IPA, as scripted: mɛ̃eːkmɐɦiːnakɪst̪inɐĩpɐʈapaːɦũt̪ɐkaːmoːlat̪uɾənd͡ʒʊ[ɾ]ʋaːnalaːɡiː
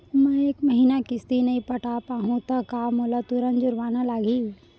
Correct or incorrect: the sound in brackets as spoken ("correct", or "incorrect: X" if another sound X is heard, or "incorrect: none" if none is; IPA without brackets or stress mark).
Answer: correct